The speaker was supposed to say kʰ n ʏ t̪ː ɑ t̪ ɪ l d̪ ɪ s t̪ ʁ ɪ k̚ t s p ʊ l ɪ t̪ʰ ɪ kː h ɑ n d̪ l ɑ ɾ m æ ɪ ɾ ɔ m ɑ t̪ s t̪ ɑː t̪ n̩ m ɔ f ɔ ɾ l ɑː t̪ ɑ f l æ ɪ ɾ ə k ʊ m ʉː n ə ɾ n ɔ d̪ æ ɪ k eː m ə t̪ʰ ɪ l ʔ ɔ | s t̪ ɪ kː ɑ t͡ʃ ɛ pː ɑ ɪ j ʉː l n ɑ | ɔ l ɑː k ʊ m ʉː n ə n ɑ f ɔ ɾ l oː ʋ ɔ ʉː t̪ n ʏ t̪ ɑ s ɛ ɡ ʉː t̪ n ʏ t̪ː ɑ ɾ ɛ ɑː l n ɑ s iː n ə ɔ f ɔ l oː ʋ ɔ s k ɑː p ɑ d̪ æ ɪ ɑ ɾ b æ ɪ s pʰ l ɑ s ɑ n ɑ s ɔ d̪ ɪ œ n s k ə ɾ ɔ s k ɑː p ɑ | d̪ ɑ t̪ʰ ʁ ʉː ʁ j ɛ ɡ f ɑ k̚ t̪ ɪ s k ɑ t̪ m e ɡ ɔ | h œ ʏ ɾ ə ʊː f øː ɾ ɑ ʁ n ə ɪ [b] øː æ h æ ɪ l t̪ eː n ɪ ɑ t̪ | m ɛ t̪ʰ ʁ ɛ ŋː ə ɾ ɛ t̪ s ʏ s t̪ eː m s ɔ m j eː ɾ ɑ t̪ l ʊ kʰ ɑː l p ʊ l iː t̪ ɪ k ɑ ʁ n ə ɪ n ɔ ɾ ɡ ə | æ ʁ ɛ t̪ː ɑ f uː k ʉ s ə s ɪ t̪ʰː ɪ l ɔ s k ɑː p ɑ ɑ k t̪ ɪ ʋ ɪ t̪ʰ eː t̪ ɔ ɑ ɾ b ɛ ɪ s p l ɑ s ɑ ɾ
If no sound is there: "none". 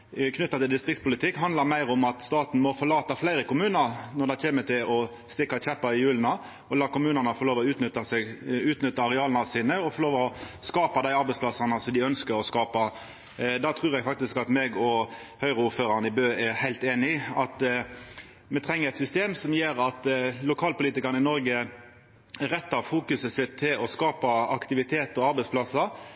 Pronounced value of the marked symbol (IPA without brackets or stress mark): b